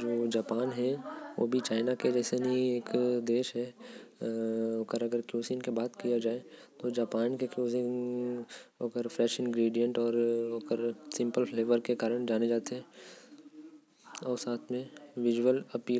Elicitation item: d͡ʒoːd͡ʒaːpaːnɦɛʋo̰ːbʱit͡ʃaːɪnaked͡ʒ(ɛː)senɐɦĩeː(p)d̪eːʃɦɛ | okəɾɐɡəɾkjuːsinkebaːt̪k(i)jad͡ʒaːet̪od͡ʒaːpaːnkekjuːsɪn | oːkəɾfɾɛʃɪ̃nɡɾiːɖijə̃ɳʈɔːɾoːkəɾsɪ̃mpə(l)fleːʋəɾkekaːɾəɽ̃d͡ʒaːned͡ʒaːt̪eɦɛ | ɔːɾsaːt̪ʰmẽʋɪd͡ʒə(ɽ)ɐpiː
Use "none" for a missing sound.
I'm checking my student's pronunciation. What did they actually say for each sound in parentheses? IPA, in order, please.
ɛː, k, i, l, l

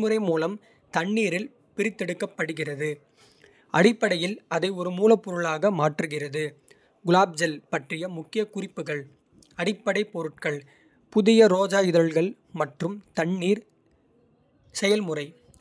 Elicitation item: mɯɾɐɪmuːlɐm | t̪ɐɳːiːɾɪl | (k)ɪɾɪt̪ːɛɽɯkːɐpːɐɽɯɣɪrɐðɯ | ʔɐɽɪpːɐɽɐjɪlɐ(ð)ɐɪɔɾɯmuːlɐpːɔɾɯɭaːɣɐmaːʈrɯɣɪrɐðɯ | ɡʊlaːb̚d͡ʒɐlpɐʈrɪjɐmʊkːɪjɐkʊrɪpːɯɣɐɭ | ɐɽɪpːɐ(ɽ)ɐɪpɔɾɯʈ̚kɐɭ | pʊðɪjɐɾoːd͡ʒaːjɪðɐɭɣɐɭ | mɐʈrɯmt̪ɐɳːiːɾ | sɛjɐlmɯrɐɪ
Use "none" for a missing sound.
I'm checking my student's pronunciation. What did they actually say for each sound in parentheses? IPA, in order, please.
p, ð, ɽ

